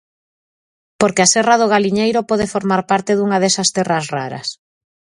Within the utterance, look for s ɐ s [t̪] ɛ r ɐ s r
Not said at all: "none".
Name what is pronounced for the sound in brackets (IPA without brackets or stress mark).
t̪